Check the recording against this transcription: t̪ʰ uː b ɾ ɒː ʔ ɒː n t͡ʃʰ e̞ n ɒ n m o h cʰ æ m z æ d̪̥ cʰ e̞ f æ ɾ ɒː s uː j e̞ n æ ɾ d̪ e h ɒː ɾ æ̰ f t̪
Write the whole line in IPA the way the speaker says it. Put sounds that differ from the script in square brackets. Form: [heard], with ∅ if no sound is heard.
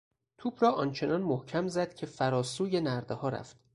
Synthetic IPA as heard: t̪ʰ uː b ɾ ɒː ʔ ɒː n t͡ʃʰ e̞ n ɒ n m o h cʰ æ m z æ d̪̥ cʰ e̞ f æ ɾ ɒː s uː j e̞ n æ ɾ d̪ e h ɒː ɾ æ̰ f t̪